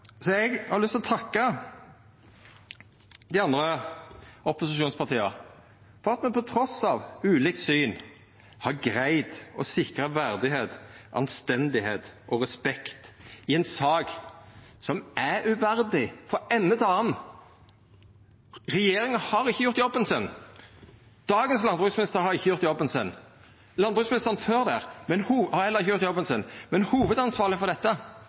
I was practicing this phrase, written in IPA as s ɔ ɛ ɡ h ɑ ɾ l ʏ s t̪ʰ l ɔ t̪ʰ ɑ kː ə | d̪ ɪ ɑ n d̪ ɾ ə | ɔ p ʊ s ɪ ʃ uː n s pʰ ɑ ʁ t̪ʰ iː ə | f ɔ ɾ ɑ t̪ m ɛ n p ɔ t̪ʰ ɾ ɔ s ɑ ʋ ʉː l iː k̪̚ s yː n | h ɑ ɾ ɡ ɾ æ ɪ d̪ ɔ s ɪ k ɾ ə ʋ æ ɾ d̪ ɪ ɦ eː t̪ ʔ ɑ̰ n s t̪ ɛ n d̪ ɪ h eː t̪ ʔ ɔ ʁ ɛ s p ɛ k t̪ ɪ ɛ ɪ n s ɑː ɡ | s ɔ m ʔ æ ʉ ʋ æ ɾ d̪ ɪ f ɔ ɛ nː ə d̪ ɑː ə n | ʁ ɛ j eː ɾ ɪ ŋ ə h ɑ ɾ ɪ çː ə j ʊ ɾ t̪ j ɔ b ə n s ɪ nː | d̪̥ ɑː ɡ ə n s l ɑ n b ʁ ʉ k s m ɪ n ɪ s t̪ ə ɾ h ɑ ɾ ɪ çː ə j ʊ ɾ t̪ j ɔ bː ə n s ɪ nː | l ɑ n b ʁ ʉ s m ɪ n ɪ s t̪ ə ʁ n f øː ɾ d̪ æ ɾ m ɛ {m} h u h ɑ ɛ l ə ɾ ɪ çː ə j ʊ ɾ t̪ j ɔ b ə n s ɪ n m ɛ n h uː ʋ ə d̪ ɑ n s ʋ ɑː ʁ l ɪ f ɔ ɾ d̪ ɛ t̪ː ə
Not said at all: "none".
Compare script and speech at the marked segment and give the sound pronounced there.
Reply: n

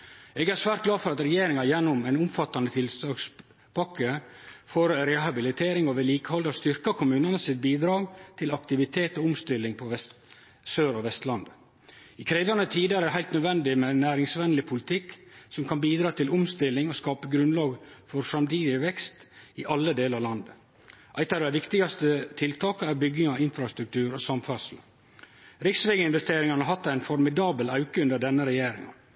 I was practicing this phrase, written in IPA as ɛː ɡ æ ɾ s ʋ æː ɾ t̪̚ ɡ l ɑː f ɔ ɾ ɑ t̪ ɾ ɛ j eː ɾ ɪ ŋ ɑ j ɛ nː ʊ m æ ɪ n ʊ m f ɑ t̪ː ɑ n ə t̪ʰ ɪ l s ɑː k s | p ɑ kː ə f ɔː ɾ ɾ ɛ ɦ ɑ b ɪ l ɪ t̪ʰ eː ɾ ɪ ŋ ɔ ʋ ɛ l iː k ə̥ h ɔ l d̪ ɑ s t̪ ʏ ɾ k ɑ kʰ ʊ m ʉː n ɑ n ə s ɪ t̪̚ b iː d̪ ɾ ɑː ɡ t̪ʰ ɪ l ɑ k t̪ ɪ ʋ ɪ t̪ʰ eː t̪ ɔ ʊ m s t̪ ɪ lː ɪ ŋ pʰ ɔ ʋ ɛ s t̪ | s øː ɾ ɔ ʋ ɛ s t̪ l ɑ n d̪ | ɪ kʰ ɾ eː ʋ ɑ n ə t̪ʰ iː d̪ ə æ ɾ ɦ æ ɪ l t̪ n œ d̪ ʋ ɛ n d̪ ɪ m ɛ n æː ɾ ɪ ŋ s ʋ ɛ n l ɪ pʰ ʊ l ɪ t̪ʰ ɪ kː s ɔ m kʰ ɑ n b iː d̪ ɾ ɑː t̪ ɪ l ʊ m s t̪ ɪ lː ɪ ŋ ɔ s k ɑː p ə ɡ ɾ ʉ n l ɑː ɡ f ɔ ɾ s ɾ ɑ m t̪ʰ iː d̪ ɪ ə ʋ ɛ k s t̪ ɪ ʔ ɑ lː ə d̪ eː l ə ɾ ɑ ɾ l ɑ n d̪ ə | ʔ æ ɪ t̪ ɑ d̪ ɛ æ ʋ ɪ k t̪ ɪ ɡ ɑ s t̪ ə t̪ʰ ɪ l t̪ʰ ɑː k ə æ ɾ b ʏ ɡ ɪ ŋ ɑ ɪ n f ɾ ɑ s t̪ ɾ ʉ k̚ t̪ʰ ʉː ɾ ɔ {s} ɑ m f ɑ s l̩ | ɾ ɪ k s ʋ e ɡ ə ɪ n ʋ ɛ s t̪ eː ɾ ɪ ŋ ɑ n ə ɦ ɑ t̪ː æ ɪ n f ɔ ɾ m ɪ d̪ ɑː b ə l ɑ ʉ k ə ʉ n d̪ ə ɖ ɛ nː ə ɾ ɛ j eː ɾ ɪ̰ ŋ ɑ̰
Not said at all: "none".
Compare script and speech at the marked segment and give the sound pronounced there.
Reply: s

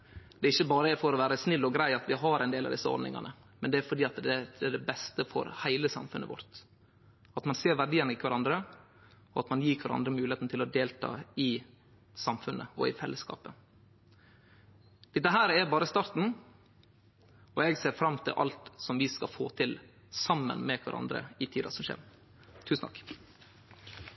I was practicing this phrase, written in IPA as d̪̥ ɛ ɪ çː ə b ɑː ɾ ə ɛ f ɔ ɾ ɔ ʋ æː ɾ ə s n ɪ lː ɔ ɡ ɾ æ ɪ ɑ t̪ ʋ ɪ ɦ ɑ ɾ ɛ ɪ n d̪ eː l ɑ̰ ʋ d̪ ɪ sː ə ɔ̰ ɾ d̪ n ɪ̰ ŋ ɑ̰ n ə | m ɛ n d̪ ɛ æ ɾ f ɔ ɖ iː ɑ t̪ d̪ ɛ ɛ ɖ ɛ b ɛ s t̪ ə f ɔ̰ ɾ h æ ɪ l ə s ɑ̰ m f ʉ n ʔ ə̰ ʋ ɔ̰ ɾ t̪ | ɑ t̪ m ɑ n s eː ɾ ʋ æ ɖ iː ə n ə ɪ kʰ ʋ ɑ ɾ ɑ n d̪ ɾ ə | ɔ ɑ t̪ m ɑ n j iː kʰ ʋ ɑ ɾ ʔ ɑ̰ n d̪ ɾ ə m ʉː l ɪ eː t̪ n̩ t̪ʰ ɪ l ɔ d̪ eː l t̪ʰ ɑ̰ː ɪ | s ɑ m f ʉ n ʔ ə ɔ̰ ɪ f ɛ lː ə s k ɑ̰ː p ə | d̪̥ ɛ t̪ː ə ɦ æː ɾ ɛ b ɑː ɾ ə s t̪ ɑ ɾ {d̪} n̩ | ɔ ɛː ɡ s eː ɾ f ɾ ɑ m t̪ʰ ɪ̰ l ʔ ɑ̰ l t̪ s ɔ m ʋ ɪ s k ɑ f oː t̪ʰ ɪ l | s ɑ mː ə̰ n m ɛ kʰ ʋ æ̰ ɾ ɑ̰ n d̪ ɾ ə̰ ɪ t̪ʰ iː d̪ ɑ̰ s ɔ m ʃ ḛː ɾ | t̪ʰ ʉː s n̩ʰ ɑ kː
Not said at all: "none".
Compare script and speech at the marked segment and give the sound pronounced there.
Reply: t̪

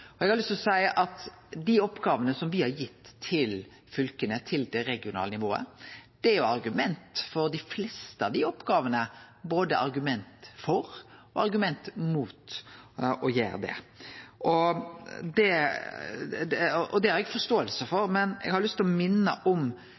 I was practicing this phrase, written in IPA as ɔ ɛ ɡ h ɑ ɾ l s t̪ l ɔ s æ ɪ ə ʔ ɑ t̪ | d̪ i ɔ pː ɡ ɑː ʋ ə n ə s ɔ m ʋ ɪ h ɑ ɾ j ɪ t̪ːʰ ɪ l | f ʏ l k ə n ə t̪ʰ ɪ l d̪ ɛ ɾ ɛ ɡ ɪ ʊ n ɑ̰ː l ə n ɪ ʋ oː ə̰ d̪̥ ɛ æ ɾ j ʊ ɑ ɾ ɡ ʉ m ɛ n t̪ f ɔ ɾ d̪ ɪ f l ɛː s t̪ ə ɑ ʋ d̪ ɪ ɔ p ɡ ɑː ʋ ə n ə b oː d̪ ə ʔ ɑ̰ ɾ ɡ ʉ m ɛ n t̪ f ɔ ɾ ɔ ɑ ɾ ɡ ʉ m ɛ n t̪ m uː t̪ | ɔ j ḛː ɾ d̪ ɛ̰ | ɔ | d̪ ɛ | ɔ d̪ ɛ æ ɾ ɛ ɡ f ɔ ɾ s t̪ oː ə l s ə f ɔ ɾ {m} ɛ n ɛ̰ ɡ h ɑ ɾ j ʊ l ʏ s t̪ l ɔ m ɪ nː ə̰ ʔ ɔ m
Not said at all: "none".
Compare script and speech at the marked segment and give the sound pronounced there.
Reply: m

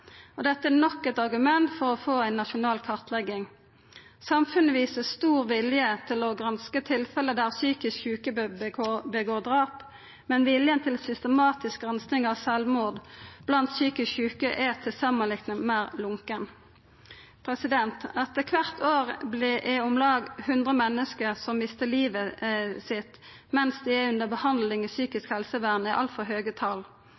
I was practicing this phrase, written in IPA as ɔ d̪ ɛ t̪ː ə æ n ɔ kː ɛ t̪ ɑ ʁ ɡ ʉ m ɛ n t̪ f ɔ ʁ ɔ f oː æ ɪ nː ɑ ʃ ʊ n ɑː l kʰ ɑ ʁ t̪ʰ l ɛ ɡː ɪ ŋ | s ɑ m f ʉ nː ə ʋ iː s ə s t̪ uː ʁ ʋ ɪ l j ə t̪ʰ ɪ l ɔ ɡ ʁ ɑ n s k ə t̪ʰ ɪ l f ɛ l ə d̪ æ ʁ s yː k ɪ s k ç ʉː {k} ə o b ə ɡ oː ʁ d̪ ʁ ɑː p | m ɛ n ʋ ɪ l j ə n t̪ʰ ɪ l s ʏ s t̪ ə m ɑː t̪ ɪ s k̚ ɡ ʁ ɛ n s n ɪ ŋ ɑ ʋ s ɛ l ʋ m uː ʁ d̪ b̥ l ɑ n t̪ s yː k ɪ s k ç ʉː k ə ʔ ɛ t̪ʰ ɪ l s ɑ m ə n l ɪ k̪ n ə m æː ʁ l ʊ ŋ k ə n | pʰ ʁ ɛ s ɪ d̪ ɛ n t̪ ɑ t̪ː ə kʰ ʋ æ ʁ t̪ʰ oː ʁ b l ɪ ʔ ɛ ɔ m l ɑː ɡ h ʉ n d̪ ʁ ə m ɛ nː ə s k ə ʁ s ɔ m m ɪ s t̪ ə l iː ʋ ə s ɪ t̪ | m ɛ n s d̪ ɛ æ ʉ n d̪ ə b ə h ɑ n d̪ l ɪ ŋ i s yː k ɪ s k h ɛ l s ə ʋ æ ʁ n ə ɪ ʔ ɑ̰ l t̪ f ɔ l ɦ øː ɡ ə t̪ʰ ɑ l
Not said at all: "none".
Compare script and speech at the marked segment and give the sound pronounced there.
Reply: k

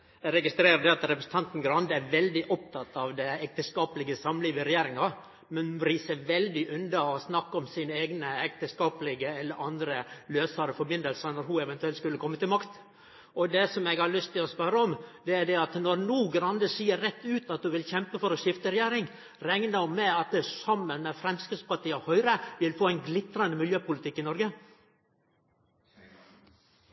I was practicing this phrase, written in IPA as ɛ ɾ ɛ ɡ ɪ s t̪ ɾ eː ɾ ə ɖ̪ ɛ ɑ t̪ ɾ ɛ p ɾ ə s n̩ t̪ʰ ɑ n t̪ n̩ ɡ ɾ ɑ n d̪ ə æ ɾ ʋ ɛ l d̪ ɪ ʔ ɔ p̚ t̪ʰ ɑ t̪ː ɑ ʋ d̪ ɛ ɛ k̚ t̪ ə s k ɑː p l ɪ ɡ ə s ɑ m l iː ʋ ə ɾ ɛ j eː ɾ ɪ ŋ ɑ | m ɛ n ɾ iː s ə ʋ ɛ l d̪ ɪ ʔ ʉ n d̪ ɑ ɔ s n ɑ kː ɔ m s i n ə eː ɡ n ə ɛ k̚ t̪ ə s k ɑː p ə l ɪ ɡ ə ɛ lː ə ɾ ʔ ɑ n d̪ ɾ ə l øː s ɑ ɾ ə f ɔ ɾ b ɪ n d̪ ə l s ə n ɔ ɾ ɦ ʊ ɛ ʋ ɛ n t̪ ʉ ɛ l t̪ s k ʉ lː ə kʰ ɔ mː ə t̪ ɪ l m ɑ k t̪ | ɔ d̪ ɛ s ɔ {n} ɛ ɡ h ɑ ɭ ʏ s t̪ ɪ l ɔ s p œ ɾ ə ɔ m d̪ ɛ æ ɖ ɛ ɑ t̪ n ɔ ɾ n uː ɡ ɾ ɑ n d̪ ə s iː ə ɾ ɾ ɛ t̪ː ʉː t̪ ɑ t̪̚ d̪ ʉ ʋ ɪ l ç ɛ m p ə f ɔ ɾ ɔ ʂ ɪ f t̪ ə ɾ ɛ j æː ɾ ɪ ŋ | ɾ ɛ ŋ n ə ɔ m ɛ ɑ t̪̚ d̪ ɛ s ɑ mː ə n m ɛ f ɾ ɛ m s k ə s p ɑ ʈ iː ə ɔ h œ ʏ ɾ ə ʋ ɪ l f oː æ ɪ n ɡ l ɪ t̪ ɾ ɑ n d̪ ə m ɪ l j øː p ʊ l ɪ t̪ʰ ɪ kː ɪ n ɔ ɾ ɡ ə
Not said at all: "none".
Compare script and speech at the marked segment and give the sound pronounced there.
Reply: m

